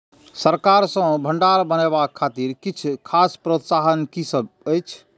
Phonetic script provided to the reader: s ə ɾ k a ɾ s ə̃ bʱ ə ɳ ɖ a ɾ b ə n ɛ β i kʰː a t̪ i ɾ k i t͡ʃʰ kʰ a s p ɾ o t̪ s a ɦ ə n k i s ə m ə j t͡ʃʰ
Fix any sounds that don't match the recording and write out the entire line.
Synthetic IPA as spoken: s ə ɾ k a ɾ s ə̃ bʱ ə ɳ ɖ a ɾ b ə n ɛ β a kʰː a t̪ i ɾ k i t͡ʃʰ kʰ a s p ɾ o t̪ s a ɦ ə n k i s ə b ə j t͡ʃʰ